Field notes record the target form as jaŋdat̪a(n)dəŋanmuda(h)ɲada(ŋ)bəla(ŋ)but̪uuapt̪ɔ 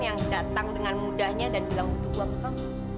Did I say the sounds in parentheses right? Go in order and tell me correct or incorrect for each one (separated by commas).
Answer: incorrect, correct, incorrect, correct